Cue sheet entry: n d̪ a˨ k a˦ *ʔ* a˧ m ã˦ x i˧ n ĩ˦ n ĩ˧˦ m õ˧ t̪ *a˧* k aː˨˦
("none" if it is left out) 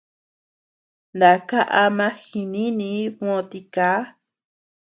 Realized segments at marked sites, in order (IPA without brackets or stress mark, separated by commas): ʔ, i˧